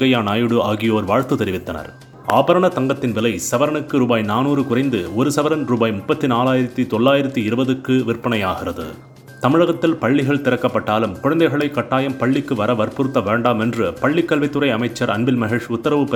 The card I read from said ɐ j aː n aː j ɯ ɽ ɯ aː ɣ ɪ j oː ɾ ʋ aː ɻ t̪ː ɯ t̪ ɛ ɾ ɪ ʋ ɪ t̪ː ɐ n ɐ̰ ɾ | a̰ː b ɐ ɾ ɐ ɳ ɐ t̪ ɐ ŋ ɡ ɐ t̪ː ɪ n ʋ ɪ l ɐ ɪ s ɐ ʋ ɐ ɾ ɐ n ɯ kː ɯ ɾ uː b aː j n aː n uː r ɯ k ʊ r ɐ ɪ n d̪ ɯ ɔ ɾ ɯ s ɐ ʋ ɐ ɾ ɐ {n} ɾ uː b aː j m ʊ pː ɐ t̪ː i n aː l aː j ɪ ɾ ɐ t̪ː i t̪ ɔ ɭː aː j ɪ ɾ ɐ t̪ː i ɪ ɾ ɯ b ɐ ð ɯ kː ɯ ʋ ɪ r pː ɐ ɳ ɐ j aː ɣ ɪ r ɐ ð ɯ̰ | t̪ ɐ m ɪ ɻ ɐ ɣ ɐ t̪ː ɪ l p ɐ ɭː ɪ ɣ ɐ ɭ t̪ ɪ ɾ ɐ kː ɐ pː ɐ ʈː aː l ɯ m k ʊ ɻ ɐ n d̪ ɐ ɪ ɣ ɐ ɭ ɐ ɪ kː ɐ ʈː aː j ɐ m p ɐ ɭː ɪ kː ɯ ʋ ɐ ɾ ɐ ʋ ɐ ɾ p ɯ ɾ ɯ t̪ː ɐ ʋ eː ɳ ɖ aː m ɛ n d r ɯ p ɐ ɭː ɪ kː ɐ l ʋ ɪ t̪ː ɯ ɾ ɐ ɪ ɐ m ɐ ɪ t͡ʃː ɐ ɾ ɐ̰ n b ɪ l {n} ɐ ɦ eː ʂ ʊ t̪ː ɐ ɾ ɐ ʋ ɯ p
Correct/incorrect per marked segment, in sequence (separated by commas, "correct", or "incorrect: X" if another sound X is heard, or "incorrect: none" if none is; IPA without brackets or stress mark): correct, incorrect: m